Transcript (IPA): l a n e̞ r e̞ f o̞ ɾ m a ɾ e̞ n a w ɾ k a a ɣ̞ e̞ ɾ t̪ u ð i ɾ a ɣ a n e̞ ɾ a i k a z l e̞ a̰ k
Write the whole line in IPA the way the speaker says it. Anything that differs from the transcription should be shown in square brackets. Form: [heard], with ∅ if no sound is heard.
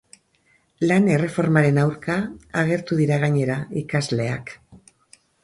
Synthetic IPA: l a n e̞ r e̞ f o̞ ɾ m a ɾ e̞ n a w ɾ k a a ɣ̞ e̞ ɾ t̪ u ð i ɾ a ɣ a [ɲ] e̞ ɾ a i k a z l e̞ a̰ k